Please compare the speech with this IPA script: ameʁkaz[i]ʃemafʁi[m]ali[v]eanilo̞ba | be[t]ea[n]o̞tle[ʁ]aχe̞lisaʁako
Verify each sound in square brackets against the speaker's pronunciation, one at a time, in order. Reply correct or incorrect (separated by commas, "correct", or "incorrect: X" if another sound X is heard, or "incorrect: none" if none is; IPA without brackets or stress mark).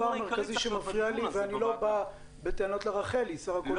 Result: correct, incorrect: none, correct, correct, correct, correct